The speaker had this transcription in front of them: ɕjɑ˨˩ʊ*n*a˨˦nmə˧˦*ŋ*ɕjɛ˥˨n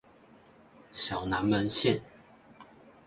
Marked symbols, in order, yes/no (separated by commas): yes, no